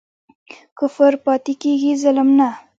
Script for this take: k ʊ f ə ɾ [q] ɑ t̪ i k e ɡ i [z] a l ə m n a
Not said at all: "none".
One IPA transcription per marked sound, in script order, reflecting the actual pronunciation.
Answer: p, z

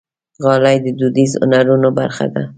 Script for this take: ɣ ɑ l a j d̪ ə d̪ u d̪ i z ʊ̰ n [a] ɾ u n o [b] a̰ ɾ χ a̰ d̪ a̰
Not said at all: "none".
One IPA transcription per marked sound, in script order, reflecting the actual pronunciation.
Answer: a, b

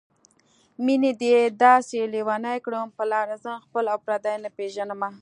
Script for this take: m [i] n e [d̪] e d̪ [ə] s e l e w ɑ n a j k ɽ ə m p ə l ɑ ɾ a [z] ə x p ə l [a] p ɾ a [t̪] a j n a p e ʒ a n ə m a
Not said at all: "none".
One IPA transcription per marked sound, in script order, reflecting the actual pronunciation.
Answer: i, d̪, ɑ, z, a, d̪

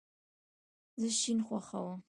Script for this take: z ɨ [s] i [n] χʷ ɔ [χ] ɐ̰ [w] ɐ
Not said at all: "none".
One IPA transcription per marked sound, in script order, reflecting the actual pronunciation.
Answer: ʃ, n, χ, w

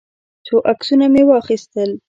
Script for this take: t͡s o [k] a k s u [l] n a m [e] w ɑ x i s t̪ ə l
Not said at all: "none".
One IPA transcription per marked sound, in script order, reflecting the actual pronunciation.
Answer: ʔ, none, e

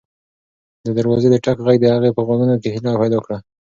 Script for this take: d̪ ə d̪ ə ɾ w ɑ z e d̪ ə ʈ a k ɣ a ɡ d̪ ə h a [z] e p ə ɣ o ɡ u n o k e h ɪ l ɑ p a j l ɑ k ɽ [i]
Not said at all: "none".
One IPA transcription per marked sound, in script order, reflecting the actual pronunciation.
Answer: ɣ, a

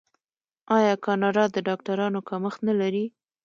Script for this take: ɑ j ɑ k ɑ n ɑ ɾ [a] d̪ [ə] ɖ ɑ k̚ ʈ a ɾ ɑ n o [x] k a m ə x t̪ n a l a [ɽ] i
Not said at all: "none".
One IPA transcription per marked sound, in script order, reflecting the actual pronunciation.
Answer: ɑ, ə, none, ɾ

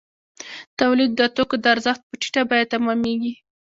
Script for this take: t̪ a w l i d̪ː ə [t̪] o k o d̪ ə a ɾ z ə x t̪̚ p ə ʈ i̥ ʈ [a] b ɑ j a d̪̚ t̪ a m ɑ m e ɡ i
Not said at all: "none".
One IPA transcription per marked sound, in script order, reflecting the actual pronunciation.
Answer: t̪, a

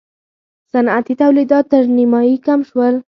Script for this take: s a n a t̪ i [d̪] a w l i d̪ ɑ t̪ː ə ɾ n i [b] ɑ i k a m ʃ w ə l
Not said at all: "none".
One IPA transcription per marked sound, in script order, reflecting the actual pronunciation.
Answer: t̪, m

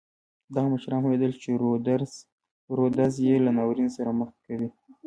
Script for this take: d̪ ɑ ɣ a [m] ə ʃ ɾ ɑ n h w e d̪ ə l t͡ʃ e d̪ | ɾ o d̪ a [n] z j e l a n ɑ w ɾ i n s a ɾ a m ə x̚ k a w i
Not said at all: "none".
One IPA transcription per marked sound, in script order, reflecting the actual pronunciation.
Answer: m, none

